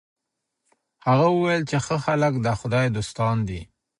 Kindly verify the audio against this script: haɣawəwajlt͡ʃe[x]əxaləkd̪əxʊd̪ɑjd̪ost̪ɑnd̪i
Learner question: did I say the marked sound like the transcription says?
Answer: yes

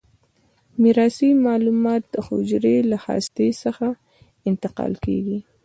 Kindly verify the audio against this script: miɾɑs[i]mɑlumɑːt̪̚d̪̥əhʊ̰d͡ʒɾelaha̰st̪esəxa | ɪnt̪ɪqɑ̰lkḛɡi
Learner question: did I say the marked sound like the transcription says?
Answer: yes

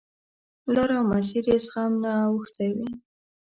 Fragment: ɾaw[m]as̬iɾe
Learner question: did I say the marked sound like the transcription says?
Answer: yes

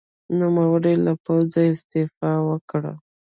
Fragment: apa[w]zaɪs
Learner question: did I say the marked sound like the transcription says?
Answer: yes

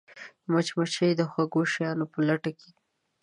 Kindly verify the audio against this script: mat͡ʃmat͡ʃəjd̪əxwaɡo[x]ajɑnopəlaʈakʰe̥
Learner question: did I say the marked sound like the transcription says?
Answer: no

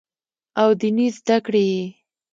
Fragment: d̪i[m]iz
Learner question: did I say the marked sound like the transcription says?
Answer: no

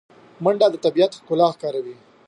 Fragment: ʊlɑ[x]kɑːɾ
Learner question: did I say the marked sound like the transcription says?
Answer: yes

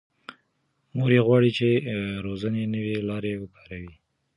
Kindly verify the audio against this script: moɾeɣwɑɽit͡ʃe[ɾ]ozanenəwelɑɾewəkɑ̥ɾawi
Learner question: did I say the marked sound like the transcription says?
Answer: yes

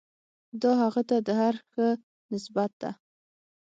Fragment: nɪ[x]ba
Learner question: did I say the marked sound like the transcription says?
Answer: no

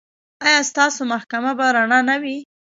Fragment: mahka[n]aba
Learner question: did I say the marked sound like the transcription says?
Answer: no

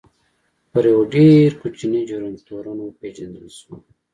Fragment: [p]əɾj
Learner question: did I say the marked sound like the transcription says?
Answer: yes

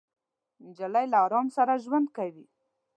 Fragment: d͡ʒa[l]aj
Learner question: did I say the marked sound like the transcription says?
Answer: yes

